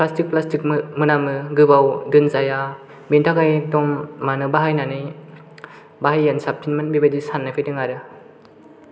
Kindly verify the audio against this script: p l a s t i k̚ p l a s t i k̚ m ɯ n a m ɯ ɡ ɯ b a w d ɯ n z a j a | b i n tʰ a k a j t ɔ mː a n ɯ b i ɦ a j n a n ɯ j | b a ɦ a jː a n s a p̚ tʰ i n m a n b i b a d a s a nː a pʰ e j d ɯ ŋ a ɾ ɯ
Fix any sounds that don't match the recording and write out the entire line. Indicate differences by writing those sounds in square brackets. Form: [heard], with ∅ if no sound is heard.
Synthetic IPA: p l a s t i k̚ p l a s t i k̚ m ɯ n a m ɯ ɡ ɯ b a w d ɯ n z a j a | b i n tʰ a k a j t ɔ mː a n ɯ b [a] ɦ a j n a n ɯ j | b a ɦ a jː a n s a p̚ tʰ i n m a n b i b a d [i] s a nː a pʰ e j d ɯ ŋ a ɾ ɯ